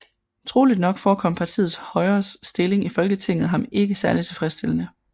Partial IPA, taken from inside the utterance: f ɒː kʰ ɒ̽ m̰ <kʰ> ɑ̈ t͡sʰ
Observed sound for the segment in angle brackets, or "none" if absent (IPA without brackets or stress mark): pʰ